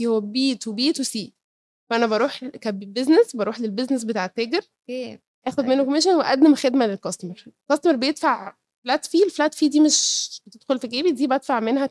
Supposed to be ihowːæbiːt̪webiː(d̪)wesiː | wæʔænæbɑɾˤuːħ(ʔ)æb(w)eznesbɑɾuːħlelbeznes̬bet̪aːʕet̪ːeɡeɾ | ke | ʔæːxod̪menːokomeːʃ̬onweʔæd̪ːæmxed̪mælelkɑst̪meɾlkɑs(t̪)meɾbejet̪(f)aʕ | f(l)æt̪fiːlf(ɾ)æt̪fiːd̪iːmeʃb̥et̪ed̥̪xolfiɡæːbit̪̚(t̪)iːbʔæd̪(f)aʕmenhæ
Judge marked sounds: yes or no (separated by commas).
no, no, no, yes, yes, yes, no, no, yes